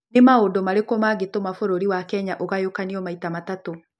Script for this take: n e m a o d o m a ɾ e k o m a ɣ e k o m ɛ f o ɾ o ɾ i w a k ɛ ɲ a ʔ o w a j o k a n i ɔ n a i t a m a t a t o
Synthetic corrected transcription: n e m a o d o m a ɾ e k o m a ɣ e t o m a f o ɾ o ɾ i w a k ɛ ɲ a ʔ o ɣ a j o k a n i ɔ m a i t a m a t a t o